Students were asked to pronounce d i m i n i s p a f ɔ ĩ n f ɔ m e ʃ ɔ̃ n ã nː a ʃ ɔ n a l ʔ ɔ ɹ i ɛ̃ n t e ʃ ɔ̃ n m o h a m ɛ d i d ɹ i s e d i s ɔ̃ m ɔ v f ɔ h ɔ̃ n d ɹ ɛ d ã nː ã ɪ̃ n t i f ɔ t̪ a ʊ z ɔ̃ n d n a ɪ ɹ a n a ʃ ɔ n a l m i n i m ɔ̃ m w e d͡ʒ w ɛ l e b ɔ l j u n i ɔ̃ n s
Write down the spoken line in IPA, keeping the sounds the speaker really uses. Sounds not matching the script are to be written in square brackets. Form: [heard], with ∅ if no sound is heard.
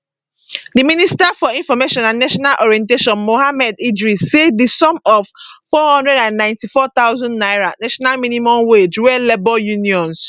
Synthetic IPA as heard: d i m i n i s [t] a f ɔ ĩ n f ɔ m e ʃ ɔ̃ n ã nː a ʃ ɔ n a l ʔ ɔ ɹ i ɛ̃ n t e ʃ ɔ̃ n m o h a m ɛ d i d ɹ i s e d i s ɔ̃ m ɔ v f ɔ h ɔ̃ n d ɹ ɛ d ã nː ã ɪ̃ n t i f ɔ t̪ a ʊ z ɔ̃ n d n a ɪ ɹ a n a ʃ ɔ n a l m i n i m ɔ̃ m w e d͡ʒ w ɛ l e b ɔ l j u n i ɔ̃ n s